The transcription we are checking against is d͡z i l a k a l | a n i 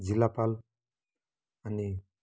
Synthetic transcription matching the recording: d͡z i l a p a l | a n i